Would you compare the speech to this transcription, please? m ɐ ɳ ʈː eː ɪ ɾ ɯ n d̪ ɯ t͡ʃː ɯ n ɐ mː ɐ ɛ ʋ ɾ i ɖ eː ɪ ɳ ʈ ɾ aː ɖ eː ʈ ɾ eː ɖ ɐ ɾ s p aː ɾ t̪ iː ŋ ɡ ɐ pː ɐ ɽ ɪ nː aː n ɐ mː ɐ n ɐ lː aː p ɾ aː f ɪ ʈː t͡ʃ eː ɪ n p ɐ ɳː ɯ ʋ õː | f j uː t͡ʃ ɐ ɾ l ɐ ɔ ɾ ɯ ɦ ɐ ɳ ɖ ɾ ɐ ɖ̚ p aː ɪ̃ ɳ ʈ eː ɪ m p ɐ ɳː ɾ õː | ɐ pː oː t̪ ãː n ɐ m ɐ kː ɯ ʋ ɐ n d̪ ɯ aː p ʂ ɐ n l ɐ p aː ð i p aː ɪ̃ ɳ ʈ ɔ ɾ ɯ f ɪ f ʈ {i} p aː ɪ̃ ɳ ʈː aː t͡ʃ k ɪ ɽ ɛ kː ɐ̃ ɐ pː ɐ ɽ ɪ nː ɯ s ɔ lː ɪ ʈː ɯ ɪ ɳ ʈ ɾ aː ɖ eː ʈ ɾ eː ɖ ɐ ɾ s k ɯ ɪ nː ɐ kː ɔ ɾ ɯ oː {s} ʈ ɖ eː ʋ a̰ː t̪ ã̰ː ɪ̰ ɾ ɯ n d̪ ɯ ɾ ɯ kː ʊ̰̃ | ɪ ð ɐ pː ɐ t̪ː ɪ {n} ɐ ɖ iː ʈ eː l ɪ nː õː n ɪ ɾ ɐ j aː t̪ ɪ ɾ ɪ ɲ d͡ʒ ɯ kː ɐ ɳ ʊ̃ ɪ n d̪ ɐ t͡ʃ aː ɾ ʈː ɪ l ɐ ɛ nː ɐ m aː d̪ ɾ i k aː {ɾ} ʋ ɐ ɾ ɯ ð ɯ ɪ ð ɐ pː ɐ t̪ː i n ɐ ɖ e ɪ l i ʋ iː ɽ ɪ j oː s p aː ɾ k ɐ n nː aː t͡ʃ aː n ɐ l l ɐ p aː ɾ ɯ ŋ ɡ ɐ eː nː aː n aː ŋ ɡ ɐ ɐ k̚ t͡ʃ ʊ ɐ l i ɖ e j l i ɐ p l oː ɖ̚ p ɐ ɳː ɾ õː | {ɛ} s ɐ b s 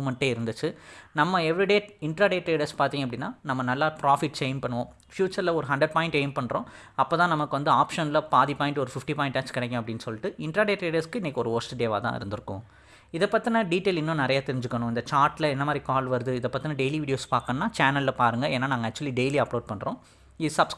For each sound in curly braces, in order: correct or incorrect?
correct, correct, correct, incorrect: l, incorrect: i

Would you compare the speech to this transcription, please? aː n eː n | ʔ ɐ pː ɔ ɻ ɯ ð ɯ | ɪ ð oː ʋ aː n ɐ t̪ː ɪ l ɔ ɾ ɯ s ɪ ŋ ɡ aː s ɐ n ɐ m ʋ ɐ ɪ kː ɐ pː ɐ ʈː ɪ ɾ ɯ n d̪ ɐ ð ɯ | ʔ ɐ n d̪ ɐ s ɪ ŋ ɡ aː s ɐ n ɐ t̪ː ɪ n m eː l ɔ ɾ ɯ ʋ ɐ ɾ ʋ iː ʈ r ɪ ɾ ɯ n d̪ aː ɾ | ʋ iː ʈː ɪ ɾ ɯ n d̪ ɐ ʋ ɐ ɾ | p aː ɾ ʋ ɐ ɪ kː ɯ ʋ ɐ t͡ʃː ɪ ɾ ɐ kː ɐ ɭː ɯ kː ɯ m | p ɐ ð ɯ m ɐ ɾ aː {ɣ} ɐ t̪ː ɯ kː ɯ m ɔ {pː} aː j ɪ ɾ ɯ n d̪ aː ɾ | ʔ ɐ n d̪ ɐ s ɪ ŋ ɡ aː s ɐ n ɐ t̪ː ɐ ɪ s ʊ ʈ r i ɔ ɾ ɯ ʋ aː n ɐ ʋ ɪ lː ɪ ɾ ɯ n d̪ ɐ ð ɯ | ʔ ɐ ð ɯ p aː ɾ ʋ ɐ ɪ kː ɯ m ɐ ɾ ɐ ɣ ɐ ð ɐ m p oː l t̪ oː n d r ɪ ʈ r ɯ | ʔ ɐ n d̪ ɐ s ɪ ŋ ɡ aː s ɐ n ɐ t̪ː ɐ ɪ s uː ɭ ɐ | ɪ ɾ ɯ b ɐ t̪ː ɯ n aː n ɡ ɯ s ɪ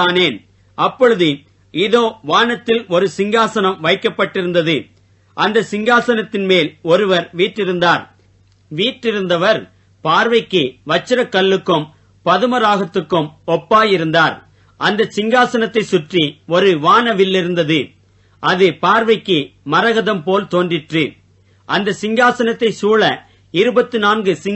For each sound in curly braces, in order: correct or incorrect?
correct, correct

